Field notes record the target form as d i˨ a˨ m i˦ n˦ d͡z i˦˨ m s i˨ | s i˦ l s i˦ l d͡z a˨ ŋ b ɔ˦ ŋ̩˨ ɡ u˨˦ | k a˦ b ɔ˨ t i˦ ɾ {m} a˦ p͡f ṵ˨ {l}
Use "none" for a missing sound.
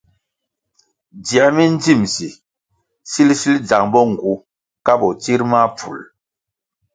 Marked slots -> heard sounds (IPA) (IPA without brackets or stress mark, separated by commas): m, l